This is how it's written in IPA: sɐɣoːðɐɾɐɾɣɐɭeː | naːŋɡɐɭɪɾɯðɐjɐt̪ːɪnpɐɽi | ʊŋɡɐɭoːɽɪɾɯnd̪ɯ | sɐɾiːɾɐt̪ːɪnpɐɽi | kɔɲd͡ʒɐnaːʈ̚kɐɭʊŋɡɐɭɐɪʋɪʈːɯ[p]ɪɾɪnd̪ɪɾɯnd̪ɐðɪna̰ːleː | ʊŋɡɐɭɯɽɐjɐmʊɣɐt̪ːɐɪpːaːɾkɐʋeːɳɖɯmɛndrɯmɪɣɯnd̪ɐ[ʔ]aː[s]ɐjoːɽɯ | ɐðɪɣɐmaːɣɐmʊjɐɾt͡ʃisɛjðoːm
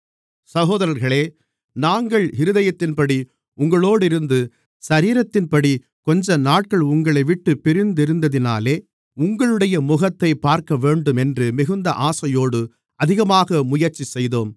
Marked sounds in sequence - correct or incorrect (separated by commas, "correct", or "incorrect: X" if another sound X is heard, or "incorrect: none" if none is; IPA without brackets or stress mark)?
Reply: correct, correct, correct